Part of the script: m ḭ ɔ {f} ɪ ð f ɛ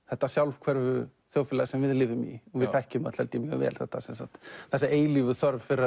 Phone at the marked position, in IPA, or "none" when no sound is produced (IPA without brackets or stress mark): v